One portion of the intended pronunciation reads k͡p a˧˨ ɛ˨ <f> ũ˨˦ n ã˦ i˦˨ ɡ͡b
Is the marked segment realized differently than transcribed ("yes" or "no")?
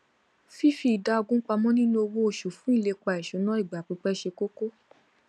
yes